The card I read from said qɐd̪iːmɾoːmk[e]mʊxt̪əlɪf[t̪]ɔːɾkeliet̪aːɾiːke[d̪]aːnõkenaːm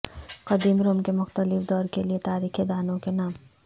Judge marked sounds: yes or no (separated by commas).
yes, no, yes